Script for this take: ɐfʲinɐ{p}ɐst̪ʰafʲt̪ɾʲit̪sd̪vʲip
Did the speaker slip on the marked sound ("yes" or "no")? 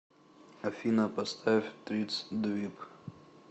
no